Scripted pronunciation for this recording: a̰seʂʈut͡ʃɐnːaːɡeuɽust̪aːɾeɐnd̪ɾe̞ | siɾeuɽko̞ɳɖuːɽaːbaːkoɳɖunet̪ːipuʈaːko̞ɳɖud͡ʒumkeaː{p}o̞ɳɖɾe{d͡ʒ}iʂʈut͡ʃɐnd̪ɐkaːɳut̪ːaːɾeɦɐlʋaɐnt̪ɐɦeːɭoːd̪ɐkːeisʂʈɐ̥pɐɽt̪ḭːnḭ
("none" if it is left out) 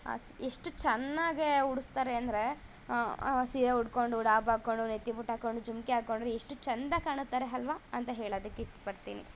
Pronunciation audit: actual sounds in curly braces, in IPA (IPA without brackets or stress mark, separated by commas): k, none